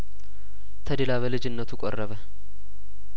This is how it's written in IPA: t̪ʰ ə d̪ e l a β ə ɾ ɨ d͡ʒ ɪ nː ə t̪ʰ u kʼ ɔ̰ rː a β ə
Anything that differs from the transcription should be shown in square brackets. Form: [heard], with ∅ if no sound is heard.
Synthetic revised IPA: t̪ʰ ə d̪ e l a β ə [l] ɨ d͡ʒ ɪ nː ə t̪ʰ u kʼ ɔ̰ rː [ə] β ə